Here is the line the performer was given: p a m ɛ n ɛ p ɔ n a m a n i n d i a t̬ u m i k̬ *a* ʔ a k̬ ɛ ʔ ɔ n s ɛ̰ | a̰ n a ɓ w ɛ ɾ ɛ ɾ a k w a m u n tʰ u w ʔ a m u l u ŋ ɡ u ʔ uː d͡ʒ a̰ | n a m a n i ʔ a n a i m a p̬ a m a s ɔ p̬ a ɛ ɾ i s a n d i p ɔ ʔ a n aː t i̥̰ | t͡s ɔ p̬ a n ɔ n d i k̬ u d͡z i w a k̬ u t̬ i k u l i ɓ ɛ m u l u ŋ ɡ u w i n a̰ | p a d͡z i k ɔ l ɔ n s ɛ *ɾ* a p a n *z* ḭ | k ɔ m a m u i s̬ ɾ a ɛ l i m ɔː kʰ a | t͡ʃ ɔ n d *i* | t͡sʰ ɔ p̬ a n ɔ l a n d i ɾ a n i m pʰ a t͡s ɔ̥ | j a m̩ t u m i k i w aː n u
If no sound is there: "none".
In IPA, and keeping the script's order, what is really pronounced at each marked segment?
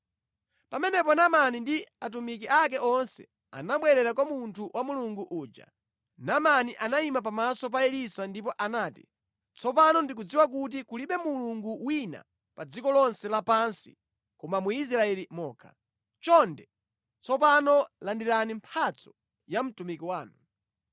i, l, s, ɛ

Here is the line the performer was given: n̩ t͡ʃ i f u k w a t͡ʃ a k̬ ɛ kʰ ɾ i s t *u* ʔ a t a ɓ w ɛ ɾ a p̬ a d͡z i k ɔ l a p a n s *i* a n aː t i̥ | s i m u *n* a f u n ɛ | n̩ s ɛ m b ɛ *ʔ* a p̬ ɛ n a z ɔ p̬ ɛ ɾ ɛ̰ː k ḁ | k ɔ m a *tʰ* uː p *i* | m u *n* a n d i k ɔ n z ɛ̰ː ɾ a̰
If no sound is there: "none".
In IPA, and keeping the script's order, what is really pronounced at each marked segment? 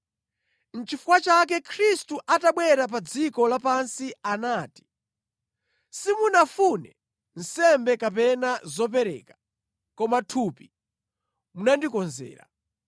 u, i, n, k, tʰ, i, n

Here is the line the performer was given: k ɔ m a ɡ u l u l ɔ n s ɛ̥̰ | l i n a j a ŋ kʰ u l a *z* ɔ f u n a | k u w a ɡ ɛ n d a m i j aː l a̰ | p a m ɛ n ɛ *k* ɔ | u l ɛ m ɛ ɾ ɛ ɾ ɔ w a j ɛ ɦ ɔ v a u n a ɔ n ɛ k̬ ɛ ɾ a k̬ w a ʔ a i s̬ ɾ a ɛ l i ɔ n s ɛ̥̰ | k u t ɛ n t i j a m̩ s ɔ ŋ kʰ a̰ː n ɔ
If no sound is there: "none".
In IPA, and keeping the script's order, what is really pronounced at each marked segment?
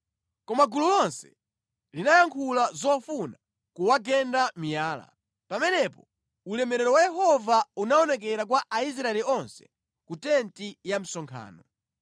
z, p

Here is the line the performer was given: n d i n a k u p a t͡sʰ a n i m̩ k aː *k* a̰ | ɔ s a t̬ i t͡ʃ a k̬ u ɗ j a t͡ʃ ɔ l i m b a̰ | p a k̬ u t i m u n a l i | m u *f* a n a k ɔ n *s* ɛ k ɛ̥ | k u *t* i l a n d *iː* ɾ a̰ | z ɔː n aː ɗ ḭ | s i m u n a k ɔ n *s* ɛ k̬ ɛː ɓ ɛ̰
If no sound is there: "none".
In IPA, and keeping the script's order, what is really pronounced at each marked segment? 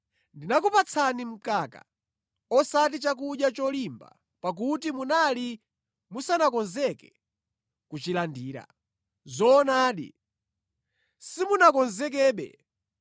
k, s, z, t͡ʃ, iː, z

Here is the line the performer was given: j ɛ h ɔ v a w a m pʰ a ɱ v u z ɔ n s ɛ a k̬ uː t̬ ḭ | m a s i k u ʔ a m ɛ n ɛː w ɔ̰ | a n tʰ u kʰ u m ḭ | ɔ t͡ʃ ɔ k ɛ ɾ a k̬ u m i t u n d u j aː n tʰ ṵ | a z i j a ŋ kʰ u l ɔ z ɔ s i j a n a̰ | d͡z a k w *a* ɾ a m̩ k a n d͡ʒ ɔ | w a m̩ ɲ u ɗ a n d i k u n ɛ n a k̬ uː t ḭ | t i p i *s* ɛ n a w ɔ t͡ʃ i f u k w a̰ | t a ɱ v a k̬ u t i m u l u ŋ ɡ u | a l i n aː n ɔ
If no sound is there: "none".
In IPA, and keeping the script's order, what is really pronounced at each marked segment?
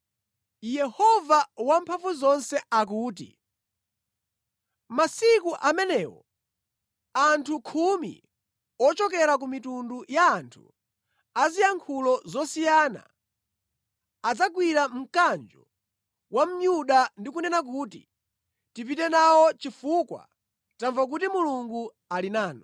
i, t

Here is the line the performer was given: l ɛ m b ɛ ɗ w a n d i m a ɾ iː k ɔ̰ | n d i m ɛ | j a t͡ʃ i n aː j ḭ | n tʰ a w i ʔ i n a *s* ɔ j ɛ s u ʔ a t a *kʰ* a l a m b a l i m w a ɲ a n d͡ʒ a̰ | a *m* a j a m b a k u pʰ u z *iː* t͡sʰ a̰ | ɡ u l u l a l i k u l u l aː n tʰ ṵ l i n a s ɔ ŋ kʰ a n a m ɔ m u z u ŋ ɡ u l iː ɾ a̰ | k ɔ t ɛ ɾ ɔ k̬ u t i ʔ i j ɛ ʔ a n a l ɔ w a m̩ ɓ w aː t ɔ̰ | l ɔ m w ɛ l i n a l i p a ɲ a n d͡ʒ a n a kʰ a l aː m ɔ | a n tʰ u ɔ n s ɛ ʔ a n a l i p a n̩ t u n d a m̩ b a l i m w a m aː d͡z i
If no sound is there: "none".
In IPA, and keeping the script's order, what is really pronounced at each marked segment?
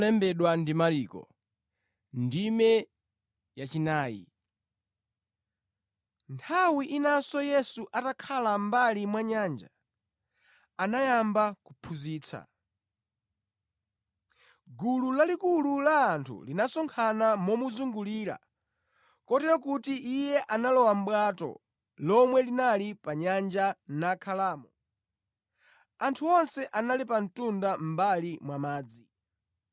s, kʰ, n, iː

